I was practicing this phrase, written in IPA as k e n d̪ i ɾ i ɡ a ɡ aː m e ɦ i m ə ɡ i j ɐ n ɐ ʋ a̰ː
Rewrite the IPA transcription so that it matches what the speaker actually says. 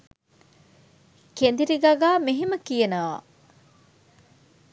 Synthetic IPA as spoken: k e n d̪ i ɾ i ɡ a ɡ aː m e ɦ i m ə k i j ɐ n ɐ ʋ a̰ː